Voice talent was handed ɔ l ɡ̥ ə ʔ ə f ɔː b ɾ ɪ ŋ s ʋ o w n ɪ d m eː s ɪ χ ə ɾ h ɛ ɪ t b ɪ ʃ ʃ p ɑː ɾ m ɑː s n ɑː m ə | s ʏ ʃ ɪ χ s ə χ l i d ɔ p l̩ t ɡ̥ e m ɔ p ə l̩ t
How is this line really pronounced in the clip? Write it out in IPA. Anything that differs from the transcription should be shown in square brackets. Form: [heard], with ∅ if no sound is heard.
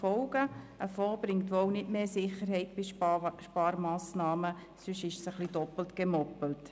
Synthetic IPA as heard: ɔ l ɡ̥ ə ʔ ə f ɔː b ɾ ɪ ŋ [t] ʋ o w n ɪ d m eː s ɪ χ ə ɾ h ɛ ɪ t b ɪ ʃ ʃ p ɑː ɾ m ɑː s n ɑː m ə | s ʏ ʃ ɪ [ʃ] s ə χ l i d ɔ p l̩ t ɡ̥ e m ɔ p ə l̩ t

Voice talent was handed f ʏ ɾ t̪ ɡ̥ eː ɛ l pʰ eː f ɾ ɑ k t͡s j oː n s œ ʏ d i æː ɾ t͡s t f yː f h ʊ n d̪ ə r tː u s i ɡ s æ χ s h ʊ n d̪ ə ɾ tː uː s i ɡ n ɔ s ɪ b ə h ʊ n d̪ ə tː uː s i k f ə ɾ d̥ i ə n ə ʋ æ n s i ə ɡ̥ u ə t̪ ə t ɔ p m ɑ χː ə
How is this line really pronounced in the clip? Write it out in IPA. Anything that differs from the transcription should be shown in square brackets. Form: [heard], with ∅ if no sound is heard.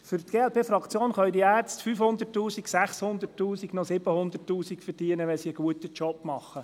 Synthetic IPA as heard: f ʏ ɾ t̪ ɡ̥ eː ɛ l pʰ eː f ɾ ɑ k t͡s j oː n [χ] œ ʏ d i æː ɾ t͡s t f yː f h ʊ n d̪ ə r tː [uː] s i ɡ s æ χ s h ʊ n d̪ ə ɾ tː uː s i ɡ n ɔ s ɪ b ə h ʊ n d̪ ə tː uː s i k f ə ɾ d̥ i ə n ə ʋ [ɛ] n s i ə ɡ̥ u ə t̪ ə [t͡ʃ] ɔ p m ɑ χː ə

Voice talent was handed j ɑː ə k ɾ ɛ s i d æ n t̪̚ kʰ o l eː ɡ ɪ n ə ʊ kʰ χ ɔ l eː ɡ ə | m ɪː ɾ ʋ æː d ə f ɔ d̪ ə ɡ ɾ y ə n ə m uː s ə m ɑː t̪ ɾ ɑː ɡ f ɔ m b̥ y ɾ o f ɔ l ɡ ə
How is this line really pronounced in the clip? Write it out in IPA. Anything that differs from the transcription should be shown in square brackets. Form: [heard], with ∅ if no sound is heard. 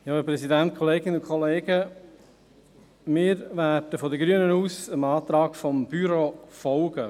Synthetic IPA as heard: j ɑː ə [p] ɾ ɛ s i d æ n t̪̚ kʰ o l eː ɡ ɪ n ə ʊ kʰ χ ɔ l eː ɡ ə | m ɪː ɾ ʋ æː d ə f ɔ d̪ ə ɡ ɾ y ə n ə [n] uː s ə m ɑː t̪ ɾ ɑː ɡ f ɔ m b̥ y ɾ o f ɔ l ɡ ə

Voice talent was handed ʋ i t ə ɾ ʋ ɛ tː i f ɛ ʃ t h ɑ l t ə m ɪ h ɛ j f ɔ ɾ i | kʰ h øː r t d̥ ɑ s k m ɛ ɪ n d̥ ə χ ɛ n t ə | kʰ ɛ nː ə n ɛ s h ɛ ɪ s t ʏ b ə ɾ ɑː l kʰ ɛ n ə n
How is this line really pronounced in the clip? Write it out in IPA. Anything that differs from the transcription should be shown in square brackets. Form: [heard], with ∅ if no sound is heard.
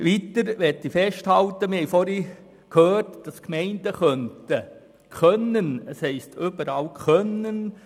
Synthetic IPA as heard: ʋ i t ə ɾ ʋ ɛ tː i f ɛ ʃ t h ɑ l t ə m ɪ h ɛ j f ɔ ɾ i | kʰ h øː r t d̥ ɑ s k m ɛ ɪ n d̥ ə χ [œ] n t ə | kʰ [œ] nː ə n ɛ s h ɛ ɪ s t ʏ b ə ɾ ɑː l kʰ [œ] n ə n

